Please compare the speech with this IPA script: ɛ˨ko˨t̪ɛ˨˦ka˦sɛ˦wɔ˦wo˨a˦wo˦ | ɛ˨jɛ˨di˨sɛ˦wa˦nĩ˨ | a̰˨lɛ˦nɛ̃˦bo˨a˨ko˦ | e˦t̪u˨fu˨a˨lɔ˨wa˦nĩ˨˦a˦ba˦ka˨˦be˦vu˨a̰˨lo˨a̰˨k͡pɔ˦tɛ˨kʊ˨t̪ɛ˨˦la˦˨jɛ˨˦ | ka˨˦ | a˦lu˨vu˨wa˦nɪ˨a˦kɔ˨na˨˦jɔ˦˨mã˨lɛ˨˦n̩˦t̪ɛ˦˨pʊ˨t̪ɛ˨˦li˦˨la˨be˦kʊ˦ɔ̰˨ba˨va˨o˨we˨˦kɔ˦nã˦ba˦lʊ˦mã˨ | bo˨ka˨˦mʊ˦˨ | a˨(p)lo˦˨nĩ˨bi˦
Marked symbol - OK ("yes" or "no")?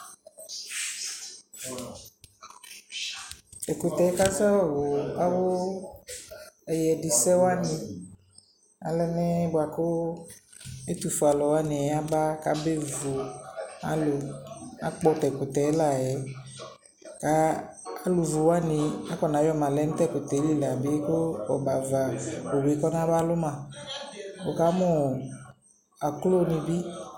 no